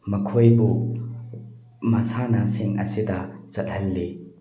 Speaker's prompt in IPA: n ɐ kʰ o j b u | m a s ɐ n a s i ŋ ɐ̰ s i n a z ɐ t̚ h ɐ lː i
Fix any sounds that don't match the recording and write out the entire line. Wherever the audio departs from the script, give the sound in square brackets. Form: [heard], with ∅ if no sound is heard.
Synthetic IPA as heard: [m] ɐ kʰ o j b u | m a s [a] n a s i ŋ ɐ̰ s i [d] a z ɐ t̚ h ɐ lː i